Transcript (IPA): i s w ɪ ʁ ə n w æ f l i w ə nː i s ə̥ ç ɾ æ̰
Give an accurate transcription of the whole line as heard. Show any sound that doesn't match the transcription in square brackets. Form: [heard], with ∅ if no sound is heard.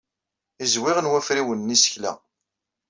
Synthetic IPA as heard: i [z] w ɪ ʁ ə n w æ f [ɾ] i w ə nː i s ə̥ ç [l] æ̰